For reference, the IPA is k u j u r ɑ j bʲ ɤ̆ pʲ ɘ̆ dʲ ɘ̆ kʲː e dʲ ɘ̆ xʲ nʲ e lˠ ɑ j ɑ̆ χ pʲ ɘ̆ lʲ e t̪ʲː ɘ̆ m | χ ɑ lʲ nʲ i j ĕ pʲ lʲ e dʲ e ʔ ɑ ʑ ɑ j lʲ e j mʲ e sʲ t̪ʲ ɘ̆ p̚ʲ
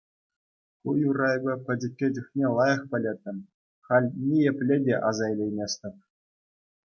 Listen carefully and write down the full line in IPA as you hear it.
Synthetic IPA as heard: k u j u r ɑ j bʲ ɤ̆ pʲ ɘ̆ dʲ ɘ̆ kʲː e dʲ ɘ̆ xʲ nʲ e lˠ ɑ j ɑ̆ χ pʲ ɘ̆ lʲ e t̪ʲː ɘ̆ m | χ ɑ lʲ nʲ i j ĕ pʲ lʲ e dʲ e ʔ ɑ z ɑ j lʲ e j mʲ e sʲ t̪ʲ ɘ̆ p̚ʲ